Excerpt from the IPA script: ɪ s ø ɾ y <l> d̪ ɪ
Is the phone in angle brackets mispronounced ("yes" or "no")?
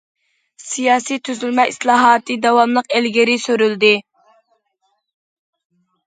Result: no